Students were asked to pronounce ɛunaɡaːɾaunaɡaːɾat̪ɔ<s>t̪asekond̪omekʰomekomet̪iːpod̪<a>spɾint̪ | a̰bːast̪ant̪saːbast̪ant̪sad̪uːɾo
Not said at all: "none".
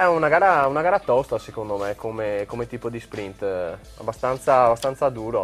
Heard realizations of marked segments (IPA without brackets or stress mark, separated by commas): s, i